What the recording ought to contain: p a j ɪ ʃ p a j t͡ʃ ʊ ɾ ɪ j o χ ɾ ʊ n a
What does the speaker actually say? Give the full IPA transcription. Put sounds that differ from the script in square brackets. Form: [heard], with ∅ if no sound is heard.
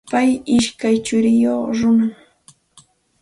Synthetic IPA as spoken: p a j ɪ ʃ [k] a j t͡ʃ ʊ ɾ ɪ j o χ ɾ ʊ n a